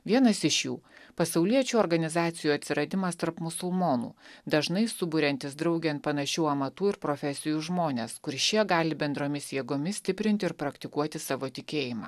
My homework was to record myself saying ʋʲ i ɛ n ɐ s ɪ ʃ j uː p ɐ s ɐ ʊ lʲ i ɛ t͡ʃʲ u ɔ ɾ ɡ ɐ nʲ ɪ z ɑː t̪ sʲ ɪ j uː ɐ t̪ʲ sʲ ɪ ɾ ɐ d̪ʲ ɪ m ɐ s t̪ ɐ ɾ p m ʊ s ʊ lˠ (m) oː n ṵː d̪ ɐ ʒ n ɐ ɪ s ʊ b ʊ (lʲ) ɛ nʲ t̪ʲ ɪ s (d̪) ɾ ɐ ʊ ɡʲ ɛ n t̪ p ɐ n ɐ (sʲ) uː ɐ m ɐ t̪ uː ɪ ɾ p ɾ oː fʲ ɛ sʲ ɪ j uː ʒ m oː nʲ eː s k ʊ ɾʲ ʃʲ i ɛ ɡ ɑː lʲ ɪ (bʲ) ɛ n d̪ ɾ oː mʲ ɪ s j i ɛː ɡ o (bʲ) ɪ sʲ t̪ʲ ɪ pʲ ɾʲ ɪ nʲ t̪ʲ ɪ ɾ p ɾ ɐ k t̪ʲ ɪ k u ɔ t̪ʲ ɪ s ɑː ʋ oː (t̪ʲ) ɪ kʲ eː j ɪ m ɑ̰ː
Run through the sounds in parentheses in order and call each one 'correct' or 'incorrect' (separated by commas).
correct, incorrect, correct, incorrect, correct, incorrect, correct